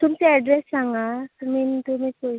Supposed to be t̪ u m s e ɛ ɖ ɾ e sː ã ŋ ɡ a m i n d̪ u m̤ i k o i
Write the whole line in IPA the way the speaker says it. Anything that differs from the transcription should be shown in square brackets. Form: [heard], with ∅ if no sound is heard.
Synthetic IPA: t̪ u m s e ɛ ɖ ɾ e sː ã ŋ ɡ a m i n [t̪] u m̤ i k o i